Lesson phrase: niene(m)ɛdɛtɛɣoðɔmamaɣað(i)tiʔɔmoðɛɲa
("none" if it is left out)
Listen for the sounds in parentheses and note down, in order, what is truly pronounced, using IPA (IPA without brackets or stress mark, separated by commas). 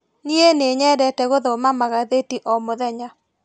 ɲ, e